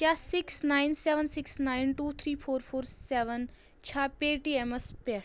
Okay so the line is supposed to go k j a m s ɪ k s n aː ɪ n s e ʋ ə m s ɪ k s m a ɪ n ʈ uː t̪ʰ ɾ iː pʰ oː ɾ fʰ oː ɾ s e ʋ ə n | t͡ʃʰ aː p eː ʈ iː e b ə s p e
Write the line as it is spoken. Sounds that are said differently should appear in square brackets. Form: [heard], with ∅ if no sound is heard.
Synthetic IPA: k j a [∅] s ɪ k s n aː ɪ n s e ʋ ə [n] s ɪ k s [n] a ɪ n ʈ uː t̪ʰ ɾ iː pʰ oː ɾ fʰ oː ɾ s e ʋ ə n | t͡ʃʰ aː p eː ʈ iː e [m] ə s p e